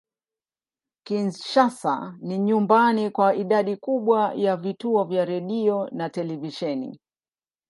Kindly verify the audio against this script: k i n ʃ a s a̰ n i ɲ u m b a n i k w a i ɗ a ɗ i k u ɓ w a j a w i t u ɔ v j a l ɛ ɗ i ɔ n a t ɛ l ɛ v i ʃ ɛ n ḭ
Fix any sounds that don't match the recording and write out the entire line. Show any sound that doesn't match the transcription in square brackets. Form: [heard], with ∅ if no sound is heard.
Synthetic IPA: k i n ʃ a s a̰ n i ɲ u m b a n i k w a i ɗ a ɗ i k u ɓ w a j a [v] i t u ɔ v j a [ɾ] ɛ ɗ i ɔ n a t ɛ l ɛ v i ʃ ɛ n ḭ